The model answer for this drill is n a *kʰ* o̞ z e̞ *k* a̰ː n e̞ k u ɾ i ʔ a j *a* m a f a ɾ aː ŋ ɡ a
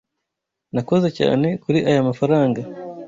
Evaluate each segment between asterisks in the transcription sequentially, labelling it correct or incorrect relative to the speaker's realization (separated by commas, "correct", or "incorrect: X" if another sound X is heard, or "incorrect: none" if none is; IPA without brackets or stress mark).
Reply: incorrect: k, incorrect: c, correct